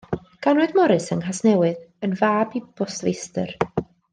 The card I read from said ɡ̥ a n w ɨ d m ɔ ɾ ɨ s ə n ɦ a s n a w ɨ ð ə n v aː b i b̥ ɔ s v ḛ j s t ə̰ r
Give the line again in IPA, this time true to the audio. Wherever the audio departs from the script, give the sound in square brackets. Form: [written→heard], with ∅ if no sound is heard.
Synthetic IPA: ɡ̥ a n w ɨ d m ɔ ɾ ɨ s ə n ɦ a s n [a→ɛ] w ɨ ð ə n v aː b i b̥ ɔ s v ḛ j s t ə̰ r